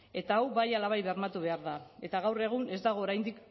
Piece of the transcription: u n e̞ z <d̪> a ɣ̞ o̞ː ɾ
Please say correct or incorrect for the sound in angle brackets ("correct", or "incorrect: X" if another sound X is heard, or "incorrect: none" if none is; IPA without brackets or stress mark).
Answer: correct